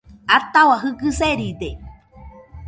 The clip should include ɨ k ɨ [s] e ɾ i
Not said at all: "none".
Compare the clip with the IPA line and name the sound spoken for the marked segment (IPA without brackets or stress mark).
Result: s